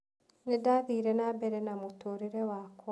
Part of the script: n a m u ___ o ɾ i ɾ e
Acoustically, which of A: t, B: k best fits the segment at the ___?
A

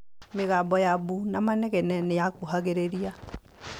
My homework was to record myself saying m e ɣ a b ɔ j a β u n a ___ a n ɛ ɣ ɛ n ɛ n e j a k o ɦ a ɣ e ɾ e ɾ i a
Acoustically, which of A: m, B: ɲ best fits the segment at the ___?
A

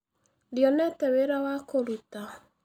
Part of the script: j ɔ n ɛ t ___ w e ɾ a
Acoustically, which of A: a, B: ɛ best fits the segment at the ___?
B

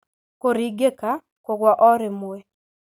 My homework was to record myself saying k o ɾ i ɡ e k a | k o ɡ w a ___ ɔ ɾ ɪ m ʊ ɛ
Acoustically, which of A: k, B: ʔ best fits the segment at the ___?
B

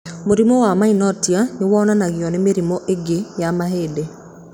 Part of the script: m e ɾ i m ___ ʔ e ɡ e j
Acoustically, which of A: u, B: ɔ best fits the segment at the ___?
B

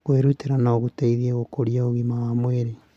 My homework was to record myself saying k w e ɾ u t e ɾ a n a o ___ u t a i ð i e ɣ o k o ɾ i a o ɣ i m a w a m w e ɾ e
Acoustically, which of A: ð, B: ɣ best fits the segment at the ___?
B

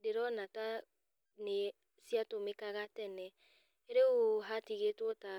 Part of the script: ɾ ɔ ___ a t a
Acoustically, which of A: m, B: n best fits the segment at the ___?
B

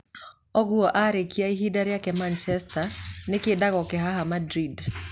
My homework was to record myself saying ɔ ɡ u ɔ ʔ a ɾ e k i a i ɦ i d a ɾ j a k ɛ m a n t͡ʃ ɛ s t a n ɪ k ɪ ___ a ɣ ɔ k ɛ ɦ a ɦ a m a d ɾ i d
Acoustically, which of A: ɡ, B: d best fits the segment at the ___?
B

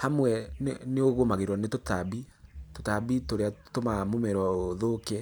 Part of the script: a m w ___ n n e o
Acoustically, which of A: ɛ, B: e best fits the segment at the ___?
A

